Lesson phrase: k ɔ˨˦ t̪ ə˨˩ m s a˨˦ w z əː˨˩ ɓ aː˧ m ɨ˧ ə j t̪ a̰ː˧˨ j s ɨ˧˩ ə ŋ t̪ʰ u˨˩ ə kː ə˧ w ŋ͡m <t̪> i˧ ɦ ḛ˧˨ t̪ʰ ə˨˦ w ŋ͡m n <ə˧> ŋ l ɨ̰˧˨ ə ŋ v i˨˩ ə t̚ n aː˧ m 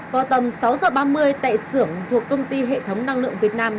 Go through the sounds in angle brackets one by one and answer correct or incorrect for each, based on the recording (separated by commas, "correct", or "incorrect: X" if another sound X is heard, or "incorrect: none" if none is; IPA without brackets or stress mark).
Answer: correct, incorrect: a˧